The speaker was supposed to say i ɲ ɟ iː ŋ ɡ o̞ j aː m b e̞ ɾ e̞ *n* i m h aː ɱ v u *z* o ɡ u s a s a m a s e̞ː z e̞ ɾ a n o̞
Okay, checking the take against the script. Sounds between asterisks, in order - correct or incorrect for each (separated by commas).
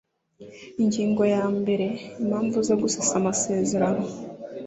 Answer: incorrect, correct